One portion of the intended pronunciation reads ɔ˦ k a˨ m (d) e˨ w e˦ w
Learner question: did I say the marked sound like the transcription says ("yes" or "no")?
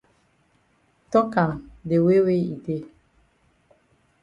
yes